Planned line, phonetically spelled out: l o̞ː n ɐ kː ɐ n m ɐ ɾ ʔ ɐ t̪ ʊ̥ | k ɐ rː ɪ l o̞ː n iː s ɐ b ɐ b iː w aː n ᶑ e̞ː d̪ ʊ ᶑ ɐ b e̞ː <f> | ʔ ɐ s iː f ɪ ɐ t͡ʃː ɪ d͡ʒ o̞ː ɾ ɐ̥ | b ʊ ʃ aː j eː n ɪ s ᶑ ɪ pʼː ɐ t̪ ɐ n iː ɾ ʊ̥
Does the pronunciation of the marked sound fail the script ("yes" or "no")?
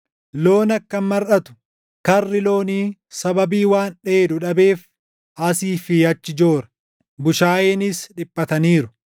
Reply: no